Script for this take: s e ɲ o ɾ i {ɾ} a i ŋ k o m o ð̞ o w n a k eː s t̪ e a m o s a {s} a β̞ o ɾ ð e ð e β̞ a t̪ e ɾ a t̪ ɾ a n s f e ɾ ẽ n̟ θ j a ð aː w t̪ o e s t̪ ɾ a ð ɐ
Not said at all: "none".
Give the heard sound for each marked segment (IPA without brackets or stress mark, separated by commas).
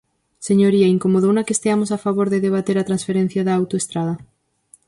none, f